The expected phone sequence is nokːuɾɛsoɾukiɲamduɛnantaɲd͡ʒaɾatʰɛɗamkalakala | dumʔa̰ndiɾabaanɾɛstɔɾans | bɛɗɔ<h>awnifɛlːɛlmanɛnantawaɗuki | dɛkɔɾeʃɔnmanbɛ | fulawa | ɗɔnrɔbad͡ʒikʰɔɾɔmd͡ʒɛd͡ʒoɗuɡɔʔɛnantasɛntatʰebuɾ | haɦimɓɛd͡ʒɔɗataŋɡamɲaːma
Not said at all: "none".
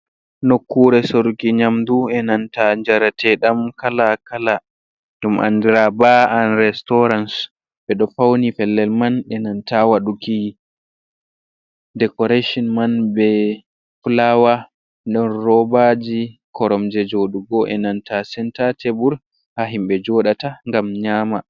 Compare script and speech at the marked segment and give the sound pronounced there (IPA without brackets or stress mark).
f